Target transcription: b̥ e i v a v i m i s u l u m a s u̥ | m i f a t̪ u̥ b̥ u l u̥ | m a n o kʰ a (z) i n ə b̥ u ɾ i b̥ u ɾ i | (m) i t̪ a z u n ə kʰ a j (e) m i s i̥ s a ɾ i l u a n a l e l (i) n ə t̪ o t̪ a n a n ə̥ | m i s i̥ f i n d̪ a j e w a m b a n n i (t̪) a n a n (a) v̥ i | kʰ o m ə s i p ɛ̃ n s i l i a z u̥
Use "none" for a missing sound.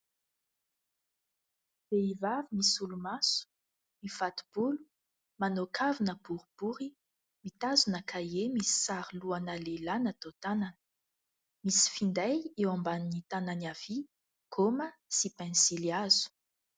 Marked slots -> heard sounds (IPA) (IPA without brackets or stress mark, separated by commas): v, m, e, a, t̪, a